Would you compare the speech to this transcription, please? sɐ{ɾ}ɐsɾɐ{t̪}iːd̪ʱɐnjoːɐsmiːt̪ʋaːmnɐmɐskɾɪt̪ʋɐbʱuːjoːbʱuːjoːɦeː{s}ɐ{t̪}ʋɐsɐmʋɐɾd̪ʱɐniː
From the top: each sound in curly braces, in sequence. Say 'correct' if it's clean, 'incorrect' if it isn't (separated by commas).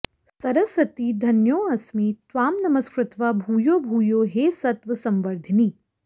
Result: correct, correct, correct, correct